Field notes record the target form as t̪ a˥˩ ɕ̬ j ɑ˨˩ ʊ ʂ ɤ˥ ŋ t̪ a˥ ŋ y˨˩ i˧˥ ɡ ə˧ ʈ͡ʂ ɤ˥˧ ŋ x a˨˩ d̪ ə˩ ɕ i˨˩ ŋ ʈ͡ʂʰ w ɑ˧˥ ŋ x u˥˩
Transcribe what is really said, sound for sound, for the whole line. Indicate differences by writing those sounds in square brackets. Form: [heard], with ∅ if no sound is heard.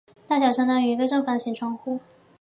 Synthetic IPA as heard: t̪ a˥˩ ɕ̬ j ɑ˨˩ ʊ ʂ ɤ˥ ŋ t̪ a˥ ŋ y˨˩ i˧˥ ɡ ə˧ ʈ͡ʂ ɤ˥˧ ŋ [f] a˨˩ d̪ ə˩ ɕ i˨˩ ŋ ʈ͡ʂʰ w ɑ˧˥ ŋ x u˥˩